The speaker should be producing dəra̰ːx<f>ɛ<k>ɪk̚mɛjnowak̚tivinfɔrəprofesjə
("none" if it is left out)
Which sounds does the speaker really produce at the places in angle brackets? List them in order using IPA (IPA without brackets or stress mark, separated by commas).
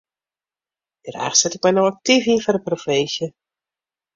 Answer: s, t